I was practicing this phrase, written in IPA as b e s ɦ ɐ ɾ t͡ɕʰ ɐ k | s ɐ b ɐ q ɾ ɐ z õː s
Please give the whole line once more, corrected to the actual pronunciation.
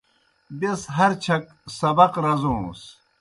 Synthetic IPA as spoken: b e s ɦ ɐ ɾ t͡ɕʰ ɐ k | s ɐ b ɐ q ɾ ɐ z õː s

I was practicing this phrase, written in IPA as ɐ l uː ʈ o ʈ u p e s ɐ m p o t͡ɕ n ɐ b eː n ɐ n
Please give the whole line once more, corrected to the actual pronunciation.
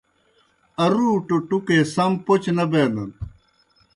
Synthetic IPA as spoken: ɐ ɾ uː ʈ o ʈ u k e s ɐ m p o t͡ɕ n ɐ b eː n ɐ n

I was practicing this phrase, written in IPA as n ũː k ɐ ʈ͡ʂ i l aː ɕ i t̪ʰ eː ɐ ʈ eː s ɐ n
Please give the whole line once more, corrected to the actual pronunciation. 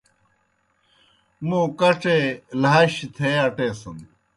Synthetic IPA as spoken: m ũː k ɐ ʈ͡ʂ e l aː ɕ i t̪ʰ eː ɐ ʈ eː s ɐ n

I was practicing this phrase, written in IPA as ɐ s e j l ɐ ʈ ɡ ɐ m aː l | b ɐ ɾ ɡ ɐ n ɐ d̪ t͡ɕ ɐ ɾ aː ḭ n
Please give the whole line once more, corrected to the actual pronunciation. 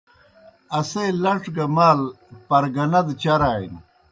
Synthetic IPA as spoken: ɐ s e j l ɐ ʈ ɡ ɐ m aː l | p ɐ ɾ ɡ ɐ n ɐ d̪ t͡ɕ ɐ ɾ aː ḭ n

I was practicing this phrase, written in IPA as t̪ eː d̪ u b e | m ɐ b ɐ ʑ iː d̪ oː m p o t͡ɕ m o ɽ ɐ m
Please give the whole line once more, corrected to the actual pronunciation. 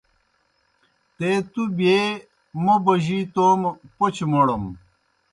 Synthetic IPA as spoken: t̪ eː t̪ u b e | m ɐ b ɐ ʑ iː t̪ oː m p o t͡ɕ m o ɽ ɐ m

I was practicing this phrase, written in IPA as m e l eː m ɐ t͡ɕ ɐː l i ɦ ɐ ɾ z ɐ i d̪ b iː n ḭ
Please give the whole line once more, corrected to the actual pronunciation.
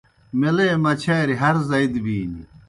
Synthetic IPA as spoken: m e l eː m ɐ t͡ɕʰ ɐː ɾ i ɦ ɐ ɾ z ɐ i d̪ b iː n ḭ

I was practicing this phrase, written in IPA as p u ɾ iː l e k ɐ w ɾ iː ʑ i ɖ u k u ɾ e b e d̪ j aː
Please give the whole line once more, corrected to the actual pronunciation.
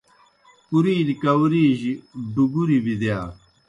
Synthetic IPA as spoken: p u ɾ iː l i k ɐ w ɾ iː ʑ i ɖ u ɡ u ɾ i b i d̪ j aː

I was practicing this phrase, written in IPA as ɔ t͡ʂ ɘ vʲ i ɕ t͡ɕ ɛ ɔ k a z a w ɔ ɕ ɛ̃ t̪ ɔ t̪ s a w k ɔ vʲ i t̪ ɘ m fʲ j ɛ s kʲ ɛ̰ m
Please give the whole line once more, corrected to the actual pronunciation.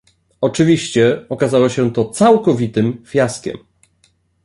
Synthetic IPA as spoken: ɔ t͡ʂ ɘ vʲ i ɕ t͡ɕ ɛ ɔ k a z a w ɔ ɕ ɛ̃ t̪ ɔ t̪ s a w k ɔ vʲ i t̪ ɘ m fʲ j a s kʲ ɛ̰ m

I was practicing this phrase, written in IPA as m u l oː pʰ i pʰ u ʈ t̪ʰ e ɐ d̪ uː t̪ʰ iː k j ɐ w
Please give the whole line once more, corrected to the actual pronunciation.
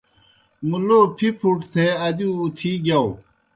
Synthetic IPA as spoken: m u l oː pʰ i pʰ u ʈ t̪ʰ e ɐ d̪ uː t̪ʰ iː ɡ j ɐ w

